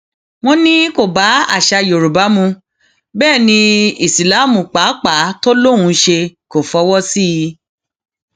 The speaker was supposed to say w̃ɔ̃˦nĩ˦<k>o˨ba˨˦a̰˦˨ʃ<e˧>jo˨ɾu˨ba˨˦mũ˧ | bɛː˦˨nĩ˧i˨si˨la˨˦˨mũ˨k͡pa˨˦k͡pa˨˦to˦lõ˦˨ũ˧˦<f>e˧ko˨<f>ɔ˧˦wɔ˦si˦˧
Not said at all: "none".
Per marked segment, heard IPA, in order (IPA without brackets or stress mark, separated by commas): k, a˧, ʃ, f